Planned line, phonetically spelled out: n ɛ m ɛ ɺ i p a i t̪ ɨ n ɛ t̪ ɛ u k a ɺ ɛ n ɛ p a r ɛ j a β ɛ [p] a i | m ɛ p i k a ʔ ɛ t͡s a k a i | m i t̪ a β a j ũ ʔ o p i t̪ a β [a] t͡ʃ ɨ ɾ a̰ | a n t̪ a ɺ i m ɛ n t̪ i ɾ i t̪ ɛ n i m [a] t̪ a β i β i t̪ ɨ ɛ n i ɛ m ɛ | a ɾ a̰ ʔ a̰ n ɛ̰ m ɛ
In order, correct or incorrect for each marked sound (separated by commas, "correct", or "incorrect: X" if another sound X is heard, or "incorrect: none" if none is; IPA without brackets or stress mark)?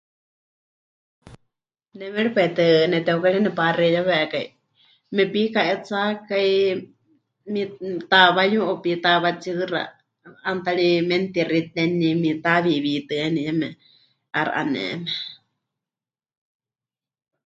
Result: incorrect: k, correct, incorrect: i